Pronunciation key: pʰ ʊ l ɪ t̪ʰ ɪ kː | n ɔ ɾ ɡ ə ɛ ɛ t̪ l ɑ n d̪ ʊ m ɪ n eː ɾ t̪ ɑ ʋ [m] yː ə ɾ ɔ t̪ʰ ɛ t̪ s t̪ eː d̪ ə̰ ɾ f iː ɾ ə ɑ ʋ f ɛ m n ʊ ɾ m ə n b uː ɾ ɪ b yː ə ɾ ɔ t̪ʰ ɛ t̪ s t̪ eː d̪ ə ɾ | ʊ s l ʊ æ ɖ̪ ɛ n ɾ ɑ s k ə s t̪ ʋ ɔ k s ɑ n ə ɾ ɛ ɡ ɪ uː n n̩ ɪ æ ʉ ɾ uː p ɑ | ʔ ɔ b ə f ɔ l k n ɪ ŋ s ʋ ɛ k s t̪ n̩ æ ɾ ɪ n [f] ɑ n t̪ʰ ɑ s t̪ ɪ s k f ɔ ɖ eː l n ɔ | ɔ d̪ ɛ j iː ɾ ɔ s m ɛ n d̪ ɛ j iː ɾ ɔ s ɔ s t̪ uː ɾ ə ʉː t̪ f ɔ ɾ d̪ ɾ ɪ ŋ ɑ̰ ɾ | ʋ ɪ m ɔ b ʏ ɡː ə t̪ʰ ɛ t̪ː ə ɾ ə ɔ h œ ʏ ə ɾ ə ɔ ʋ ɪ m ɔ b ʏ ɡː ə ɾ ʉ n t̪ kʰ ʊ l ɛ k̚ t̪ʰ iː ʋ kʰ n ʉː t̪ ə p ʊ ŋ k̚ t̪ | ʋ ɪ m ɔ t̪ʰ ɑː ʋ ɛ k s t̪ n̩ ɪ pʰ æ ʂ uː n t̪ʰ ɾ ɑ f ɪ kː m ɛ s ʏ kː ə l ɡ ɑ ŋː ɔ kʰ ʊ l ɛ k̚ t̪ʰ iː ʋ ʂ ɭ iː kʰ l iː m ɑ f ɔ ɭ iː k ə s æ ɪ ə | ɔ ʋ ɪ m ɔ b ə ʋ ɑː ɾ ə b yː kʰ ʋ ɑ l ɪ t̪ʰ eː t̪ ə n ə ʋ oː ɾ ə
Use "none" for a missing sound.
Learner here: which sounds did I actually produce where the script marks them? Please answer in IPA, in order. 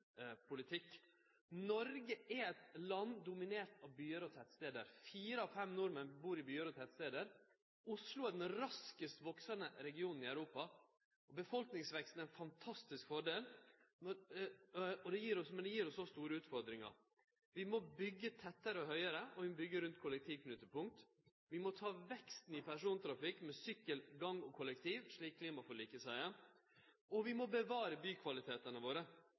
b, f

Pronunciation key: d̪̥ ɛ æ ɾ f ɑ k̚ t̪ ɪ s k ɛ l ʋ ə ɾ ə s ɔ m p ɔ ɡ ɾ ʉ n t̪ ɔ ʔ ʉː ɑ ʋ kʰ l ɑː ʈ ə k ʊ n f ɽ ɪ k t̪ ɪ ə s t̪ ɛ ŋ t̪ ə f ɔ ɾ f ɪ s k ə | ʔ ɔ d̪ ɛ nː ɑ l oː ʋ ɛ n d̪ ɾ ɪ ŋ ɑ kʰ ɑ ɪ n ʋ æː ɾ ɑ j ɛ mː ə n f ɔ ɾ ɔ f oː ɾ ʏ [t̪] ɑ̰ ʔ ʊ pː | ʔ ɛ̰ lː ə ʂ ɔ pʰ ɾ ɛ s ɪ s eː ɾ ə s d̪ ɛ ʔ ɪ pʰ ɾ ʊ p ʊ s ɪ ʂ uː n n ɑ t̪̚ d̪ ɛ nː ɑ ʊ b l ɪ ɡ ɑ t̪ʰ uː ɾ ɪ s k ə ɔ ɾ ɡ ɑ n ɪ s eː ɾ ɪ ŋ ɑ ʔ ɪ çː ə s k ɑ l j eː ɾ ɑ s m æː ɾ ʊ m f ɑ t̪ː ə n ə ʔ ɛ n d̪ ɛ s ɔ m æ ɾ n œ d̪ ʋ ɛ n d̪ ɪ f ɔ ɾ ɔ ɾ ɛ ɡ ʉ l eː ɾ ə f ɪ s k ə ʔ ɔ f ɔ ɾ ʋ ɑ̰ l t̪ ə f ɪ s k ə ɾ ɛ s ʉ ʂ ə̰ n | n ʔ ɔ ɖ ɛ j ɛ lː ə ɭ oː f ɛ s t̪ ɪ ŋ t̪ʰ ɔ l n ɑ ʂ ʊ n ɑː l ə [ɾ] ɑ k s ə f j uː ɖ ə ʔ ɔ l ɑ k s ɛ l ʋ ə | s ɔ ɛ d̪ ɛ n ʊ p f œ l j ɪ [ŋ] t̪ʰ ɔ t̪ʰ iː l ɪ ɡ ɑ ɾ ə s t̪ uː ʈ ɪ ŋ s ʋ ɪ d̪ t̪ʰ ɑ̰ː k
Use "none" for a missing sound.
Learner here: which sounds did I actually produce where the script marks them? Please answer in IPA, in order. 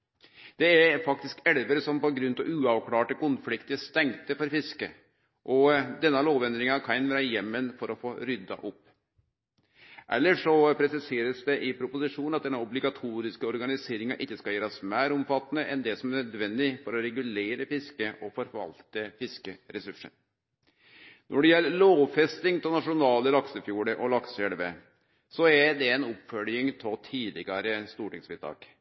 d̪, l, ŋ

